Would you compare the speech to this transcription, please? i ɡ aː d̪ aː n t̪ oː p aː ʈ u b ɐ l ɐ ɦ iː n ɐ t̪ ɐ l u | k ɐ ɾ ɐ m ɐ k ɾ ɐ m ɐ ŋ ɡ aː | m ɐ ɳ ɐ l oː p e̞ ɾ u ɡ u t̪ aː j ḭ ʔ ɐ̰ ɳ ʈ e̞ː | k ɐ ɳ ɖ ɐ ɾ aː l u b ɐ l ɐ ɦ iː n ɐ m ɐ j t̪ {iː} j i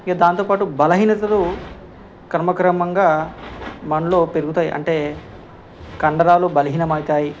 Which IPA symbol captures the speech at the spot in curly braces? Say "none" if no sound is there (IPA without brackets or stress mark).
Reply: aː